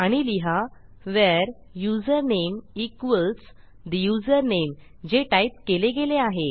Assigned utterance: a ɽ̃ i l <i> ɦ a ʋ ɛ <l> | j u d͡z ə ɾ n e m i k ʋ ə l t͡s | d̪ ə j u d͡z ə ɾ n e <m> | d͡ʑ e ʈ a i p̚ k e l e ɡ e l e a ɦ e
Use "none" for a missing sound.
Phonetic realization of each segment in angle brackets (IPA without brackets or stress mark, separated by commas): i, ɾ, m